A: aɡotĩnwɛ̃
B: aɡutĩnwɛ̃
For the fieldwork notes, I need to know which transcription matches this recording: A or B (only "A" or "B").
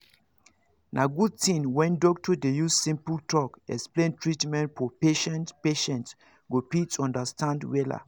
B